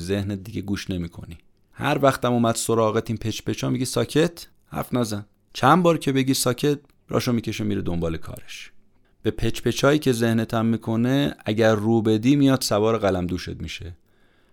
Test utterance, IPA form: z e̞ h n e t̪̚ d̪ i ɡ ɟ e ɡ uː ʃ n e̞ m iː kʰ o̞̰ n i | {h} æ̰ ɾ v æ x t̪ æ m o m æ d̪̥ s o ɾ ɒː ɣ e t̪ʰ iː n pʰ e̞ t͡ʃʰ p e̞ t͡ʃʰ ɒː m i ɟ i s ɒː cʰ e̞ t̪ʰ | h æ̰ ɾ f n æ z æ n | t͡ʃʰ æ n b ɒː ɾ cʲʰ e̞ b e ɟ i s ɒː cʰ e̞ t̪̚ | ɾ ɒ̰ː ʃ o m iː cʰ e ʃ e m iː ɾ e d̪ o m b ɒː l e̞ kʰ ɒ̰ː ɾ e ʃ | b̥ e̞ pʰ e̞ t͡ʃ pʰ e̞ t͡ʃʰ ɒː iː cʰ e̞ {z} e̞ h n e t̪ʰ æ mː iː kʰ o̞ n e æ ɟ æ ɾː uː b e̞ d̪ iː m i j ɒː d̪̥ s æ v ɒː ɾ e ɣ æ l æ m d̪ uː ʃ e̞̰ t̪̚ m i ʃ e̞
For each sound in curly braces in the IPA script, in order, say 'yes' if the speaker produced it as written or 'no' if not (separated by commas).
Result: yes, yes